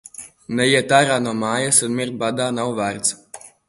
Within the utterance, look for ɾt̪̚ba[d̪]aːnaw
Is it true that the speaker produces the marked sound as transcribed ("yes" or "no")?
yes